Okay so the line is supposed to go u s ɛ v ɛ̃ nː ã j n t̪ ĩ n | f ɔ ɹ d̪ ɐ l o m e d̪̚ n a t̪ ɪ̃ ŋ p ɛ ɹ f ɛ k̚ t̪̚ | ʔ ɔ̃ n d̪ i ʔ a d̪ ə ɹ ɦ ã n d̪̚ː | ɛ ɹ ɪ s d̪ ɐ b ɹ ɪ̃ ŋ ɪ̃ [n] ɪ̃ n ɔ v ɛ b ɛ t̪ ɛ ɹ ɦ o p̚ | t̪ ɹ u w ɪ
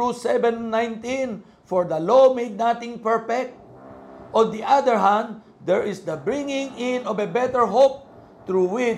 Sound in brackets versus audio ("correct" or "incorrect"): incorrect